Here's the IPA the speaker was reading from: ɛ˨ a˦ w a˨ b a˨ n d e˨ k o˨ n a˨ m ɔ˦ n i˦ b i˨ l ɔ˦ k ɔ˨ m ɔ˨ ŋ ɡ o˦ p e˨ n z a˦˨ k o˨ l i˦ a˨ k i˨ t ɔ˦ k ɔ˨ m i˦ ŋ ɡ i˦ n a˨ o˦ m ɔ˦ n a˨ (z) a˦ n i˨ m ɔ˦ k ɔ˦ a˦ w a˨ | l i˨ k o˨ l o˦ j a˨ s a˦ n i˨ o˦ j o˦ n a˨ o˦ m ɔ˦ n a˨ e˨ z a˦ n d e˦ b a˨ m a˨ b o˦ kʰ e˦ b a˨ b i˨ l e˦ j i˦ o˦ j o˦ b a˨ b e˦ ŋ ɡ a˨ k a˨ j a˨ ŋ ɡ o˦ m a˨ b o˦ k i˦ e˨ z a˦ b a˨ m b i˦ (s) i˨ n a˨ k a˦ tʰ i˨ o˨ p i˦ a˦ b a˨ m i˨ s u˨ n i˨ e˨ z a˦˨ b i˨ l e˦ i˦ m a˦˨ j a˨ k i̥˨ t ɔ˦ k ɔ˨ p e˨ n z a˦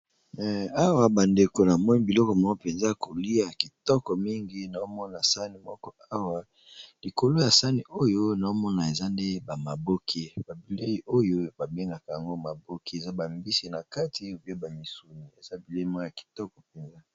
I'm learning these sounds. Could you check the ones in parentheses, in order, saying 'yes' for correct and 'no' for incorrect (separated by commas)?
no, yes